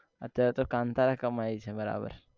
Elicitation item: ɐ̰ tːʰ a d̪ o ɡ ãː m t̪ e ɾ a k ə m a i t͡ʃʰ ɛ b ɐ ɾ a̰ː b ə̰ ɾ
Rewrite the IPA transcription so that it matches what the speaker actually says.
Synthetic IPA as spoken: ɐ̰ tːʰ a t̪ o k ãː n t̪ a ɾ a k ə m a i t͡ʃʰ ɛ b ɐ ɾ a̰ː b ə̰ ɾ